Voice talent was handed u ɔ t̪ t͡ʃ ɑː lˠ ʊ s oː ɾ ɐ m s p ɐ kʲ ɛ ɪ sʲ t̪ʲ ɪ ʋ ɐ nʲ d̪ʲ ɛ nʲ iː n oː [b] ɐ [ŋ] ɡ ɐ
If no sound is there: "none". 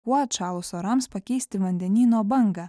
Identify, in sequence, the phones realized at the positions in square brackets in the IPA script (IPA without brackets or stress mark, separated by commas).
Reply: b, ŋ